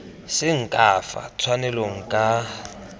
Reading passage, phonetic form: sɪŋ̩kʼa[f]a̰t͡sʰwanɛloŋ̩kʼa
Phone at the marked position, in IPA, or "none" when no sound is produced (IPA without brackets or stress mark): f